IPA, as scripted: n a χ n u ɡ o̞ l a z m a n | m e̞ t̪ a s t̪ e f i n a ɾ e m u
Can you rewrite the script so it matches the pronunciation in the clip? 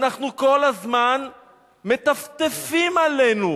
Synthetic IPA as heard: n a χ n u k o̞ l a z m a n | m e̞ t̪ a f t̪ e f i m a l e n u